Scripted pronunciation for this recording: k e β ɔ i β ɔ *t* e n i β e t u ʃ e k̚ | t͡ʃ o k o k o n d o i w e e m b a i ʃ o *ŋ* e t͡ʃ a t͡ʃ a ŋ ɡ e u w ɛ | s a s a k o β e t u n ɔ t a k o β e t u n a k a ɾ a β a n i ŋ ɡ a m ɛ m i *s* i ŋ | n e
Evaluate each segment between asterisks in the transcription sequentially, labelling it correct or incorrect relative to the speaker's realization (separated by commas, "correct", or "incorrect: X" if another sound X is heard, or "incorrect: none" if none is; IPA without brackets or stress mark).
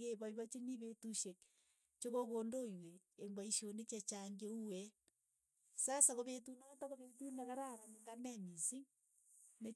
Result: incorrect: t͡ʃ, incorrect: n, correct